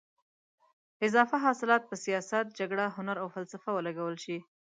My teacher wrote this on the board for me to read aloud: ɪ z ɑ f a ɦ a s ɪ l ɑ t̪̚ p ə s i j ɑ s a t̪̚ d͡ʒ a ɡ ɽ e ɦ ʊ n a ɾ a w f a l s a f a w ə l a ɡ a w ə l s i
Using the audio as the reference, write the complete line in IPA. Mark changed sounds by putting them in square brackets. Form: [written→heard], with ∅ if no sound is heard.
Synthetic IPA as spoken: ɪ z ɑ f a ɦ [a→ɑ] s ɪ l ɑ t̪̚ p ə s i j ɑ s a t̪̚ d͡ʒ a ɡ ɽ [e→a] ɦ ʊ n a ɾ a w f a l s a f a w ə l a ɡ a w ə l [s→ʃ] i